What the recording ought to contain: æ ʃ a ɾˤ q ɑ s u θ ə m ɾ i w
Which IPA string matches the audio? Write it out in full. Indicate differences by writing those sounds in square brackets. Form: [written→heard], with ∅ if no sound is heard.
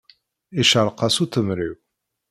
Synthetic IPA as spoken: [æ→i] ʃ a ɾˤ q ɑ s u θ ə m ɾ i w